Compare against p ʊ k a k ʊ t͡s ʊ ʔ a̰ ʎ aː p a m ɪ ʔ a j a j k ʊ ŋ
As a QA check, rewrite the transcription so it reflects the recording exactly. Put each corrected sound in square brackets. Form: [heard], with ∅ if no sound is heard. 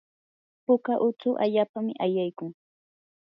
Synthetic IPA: p ʊ k a [ʔ] ʊ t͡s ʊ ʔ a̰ ʎ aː p a m ɪ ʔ a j a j k ʊ ŋ

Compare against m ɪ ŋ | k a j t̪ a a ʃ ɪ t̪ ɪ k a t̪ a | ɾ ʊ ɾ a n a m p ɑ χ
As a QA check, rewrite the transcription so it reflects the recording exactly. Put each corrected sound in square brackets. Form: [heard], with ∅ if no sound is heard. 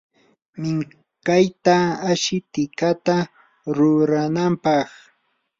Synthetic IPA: m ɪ ŋ | k a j t̪ a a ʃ ɪ t̪ ɪ k a t̪ a | ɾ ʊ ɾ a n a m p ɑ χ

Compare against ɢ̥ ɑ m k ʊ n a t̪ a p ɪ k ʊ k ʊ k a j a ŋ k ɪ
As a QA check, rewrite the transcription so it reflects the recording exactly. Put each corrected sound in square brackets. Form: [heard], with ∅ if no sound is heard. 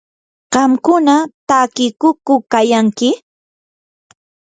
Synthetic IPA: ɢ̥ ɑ m k ʊ n a t̪ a [k] ɪ k ʊ k ʊ k a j a ŋ k ɪ

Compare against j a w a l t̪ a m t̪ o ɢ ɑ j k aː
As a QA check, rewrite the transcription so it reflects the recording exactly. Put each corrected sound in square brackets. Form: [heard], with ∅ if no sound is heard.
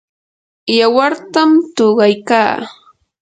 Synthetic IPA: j a w a [ɾ] t̪ a m t̪ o ɢ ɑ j k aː

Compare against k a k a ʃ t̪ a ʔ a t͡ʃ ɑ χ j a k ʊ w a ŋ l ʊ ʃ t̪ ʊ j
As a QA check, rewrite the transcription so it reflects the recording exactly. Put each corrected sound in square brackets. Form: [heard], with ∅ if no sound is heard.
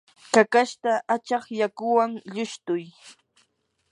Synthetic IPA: k a k a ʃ t̪ a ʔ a t͡ʃ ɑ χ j a k ʊ w a ŋ [ʎ] ʊ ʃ t̪ ʊ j

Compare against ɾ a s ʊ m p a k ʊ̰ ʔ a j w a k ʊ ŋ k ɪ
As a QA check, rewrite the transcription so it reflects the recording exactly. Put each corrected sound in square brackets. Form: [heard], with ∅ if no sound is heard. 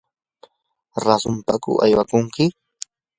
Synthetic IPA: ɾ a s ʊ m p a k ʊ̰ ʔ a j w a k ʊ ŋ k ɪ

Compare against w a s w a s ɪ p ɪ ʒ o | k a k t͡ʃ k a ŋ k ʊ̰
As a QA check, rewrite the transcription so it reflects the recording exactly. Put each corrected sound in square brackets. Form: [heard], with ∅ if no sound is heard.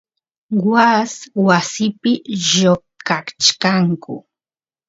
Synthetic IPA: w a s w a s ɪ p ɪ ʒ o | k a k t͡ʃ k a ŋ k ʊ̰

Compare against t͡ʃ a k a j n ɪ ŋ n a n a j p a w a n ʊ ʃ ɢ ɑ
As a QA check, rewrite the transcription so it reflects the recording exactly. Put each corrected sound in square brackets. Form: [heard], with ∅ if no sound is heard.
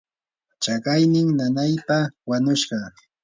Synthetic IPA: t͡ʃ a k a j n ɪ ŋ n a n a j p a w a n ʊ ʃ ɢ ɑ

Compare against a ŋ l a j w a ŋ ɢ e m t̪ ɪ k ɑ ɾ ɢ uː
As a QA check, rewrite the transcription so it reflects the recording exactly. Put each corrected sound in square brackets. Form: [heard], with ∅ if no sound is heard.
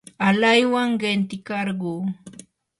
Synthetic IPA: a [∅] l a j w a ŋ ɢ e [n] t̪ ɪ k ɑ ɾ ɢ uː

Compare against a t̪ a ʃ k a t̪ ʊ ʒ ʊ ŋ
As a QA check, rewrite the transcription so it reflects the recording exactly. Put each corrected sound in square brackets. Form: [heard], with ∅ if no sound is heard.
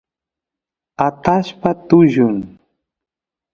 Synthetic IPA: a t̪ a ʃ [p] a t̪ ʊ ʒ ʊ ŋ

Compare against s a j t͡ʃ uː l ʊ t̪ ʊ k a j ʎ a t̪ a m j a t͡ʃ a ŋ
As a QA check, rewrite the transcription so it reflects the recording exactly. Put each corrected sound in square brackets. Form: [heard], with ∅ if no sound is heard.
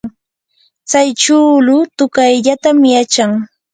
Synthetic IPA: [t͡s] a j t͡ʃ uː l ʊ t̪ ʊ k a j ʎ a t̪ a m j a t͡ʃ a ŋ

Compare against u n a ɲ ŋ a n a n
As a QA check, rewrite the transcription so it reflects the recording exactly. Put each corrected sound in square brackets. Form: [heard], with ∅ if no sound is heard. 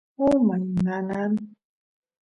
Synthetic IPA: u [m] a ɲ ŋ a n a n

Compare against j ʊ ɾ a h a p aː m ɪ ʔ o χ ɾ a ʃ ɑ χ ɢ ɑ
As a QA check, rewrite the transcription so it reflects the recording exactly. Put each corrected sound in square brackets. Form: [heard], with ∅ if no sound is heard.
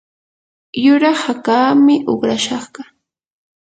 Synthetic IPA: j ʊ ɾ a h a [k] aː m ɪ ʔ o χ ɾ a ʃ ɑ χ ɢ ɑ

